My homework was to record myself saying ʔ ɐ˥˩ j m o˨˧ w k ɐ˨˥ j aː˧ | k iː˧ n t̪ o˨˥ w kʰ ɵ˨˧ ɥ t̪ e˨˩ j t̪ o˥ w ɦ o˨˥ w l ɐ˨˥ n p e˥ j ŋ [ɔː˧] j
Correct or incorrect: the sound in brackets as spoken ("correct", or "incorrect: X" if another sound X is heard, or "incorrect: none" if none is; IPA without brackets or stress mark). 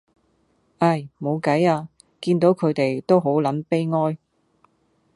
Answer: incorrect: ɔː˥